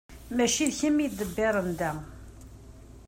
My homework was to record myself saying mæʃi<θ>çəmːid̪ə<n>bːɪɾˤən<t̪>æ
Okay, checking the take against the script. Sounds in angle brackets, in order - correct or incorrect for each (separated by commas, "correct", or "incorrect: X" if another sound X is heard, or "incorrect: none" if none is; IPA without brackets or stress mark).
incorrect: ð, incorrect: none, incorrect: d̪